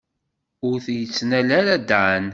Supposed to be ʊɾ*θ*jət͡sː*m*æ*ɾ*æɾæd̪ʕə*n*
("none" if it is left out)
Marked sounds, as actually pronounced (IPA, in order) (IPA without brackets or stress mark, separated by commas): θ, n, l, n